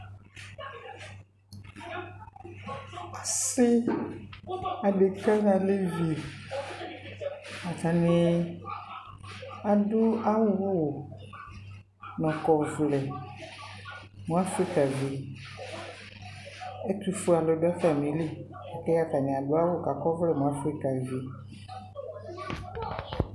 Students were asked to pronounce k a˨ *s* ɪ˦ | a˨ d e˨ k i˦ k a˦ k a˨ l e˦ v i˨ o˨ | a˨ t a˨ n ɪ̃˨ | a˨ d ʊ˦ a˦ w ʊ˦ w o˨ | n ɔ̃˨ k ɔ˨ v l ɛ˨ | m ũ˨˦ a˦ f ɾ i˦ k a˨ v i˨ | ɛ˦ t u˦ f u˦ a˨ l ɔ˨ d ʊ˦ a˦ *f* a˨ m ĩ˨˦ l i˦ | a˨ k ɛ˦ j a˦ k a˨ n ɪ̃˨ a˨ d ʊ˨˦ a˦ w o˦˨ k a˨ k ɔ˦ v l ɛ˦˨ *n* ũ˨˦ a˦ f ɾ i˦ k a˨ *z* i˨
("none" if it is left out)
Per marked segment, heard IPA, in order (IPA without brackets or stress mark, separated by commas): s, f, m, v